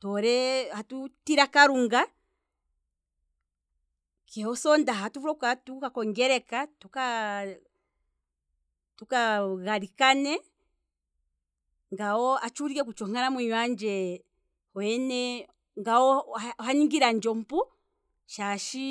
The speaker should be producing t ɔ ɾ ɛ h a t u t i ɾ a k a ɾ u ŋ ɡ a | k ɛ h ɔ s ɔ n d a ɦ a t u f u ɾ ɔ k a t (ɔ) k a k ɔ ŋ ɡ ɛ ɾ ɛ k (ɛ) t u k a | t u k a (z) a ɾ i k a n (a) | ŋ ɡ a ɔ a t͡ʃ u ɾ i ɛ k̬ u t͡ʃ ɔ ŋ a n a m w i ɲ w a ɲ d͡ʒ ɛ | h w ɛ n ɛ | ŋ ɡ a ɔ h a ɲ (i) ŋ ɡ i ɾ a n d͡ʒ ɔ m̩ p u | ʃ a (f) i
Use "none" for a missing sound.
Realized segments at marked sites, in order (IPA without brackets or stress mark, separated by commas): u, a, ɣ, ɛ, i, ʃ